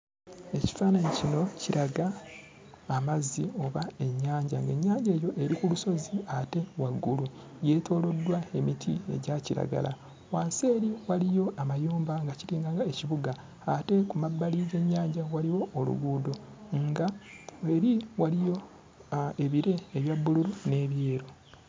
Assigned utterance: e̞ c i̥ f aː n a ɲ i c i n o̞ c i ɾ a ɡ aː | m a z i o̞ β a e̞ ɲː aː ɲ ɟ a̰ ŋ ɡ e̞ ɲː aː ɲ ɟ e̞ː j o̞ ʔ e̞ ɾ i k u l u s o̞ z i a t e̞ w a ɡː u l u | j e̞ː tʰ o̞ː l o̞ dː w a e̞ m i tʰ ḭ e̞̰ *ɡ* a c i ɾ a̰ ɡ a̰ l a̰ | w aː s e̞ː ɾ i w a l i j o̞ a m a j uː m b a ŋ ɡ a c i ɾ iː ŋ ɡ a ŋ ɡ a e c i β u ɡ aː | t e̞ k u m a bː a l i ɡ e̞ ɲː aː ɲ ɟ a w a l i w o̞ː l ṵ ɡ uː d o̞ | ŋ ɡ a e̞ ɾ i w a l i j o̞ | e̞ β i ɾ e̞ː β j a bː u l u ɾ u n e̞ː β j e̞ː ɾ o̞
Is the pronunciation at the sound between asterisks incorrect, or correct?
incorrect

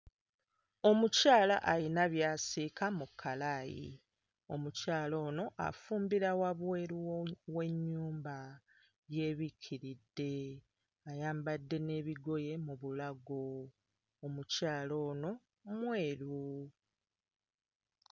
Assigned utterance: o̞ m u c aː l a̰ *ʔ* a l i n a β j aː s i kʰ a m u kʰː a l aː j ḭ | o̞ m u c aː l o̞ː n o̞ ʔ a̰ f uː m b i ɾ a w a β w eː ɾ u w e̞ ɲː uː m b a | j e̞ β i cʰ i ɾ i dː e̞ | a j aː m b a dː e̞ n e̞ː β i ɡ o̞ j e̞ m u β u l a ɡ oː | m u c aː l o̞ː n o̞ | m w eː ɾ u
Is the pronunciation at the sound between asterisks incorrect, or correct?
correct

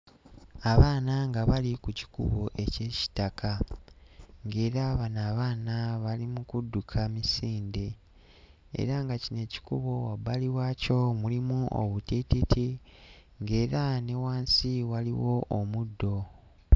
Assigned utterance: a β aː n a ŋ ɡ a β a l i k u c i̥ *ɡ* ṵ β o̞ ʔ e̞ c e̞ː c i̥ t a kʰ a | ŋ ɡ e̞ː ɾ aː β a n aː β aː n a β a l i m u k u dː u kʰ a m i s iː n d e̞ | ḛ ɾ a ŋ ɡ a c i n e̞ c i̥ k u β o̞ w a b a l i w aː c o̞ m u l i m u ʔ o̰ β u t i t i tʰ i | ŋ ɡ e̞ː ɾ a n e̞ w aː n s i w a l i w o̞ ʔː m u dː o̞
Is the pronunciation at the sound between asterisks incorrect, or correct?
incorrect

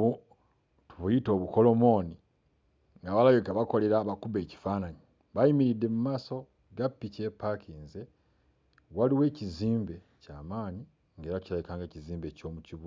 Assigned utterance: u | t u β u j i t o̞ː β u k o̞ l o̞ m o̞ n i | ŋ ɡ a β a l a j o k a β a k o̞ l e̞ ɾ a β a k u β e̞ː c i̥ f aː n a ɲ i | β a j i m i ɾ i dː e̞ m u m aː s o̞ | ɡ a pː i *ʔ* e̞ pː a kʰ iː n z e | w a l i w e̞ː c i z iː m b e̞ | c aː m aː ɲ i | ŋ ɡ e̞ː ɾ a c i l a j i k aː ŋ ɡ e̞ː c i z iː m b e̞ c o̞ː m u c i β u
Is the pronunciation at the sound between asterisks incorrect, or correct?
incorrect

